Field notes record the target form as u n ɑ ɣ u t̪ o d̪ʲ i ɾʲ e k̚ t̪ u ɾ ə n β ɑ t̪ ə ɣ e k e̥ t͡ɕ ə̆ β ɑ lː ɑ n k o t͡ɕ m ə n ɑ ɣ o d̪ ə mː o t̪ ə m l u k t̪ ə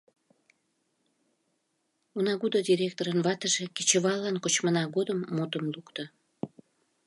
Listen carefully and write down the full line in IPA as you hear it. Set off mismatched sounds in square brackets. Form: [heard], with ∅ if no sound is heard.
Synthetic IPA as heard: u n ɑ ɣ u [d̪] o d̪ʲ i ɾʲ e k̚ t̪ [o] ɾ ə n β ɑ t̪ ə [ʒ] e k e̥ t͡ɕ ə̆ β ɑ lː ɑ n k o t͡ɕ m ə n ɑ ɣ o d̪ ə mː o t̪ ə m l u k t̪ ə

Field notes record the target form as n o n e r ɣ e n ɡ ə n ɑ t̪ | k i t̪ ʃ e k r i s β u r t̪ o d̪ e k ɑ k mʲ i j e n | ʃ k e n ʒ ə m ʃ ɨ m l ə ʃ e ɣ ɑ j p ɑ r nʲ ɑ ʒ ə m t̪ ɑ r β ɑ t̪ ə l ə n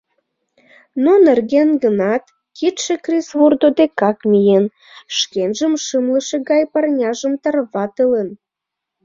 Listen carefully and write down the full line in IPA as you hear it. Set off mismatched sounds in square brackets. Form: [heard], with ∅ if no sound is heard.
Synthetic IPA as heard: n o n e r ɣ e n ɡ ə n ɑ t̪ | k i t̪ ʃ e k r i s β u r [d̪] o d̪ e k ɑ k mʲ i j e n | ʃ k e n ʒ ə m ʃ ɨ m l ə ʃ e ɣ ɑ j p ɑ r nʲ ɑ ʒ ə m t̪ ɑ r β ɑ t̪ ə l ə n

